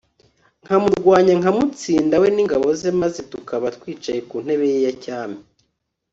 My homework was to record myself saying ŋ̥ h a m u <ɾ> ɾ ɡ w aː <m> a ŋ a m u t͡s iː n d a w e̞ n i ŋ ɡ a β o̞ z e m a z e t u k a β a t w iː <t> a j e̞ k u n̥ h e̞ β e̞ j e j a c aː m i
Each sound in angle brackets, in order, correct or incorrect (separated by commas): correct, incorrect, incorrect